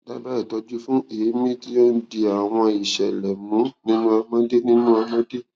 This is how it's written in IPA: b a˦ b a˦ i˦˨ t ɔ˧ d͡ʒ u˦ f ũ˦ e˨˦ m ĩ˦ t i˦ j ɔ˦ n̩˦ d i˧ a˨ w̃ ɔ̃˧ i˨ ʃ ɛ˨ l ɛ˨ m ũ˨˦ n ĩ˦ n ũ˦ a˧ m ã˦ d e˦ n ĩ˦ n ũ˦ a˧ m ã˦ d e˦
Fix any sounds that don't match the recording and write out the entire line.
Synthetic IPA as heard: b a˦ b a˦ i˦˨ t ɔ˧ d͡ʒ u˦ f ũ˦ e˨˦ m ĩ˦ t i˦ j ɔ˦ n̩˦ d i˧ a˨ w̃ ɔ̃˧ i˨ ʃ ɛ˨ l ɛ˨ m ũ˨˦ n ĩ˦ n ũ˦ a˧ m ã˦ d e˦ n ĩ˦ n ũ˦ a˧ m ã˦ d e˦